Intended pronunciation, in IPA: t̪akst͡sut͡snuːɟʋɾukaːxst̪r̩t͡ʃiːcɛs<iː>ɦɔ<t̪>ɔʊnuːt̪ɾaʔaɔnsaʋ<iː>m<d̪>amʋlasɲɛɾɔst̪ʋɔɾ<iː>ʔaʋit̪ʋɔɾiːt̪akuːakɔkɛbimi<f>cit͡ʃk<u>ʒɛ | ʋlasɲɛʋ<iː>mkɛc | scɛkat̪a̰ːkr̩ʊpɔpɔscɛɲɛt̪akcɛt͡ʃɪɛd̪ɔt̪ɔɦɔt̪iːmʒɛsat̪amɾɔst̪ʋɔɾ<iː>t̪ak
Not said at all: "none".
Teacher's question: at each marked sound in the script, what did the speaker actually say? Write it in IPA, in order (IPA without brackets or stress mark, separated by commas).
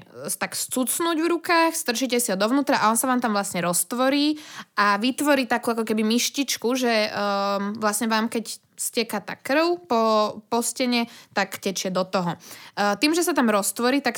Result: i, d̪, aː, t̪, iː, ʃ, u, aː, iː